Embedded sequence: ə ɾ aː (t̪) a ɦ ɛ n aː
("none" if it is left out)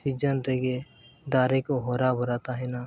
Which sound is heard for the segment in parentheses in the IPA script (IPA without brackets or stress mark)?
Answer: t̪